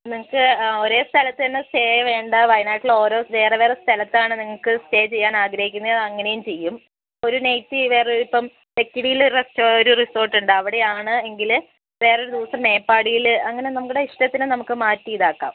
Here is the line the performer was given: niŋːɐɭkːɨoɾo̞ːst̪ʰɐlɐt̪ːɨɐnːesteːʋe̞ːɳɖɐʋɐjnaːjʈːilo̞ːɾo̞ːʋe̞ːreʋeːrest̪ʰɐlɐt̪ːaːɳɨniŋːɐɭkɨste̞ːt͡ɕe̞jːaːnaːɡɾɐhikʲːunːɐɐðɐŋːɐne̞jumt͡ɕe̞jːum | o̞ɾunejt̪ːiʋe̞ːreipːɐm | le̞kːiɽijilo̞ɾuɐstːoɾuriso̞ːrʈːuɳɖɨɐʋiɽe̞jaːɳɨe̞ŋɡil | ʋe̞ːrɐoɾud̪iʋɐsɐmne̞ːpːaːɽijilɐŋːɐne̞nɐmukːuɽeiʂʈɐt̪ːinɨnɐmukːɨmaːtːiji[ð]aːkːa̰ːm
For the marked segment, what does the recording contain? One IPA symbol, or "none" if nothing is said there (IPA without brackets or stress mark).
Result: ð